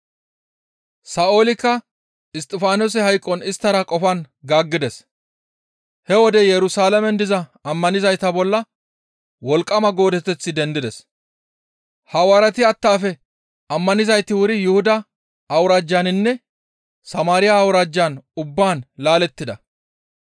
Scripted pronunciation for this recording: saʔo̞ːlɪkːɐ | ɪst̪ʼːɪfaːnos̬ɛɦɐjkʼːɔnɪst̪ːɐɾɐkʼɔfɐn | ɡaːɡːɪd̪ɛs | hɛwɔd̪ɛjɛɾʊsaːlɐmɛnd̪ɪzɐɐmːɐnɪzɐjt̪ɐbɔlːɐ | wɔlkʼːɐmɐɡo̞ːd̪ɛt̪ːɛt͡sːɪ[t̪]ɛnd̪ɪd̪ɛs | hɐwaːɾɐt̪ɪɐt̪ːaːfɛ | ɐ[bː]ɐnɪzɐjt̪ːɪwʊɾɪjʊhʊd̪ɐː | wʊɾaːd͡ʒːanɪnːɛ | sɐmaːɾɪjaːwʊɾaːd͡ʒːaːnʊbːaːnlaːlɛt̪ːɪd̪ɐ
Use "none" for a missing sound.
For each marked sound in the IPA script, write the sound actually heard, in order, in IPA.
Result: d̪, mː

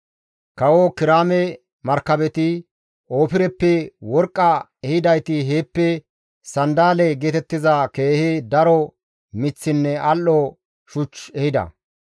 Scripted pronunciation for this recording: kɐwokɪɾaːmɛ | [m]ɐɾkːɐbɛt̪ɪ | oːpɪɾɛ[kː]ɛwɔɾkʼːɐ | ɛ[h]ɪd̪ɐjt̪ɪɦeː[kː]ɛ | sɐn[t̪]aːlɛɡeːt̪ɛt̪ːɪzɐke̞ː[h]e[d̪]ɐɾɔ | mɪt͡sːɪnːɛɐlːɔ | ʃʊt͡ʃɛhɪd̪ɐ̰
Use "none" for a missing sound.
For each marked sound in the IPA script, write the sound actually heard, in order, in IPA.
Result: m, pː, h, pː, d̪, h, d̪

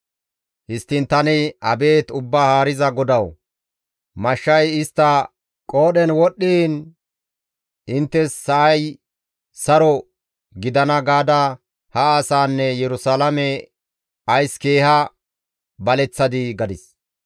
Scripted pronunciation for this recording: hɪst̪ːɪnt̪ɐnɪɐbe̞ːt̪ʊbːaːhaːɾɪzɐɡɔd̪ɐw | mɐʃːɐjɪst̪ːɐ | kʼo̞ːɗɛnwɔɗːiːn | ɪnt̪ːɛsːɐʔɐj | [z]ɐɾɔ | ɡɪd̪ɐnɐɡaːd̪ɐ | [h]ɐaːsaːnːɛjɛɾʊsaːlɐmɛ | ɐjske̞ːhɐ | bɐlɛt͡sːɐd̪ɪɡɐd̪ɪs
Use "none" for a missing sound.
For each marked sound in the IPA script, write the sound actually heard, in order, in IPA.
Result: s, h

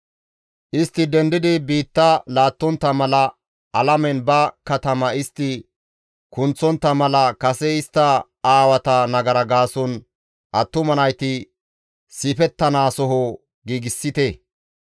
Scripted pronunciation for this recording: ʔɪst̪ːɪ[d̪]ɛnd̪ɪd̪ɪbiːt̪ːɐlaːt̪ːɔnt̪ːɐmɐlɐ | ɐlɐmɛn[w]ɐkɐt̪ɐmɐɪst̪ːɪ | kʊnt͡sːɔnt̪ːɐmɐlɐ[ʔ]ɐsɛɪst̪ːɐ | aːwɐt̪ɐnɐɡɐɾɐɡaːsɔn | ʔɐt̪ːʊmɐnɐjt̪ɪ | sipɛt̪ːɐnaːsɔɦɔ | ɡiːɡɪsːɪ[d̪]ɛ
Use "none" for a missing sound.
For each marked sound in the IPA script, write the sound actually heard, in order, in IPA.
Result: d̪, b, k, t̪

